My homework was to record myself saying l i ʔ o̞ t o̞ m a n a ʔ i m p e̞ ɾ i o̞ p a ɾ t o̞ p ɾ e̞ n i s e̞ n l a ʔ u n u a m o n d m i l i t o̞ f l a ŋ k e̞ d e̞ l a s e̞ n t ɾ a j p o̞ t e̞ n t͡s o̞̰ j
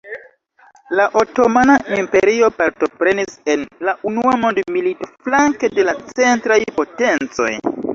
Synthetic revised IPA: l a ʔ o̞ t o̞ m a n a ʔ i m p e̞ ɾ i o̞ p a ɾ t o̞ p ɾ e̞ n i s e̞ n l a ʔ u n u a m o n d m i l i t o̞ f l a ŋ k e̞ d e̞ l a t͡s e̞ n t ɾ a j p o̞ t e̞ n t͡s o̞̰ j